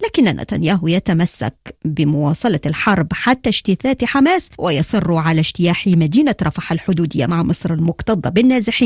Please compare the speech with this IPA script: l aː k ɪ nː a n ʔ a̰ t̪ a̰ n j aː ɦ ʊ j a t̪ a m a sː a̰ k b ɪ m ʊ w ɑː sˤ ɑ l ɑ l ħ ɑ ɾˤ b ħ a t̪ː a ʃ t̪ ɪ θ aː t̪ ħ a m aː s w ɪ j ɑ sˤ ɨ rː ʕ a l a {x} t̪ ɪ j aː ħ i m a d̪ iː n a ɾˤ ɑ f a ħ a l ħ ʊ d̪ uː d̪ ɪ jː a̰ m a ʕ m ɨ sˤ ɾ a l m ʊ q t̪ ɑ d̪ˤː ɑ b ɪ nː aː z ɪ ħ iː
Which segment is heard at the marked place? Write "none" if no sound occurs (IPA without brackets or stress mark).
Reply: ʃ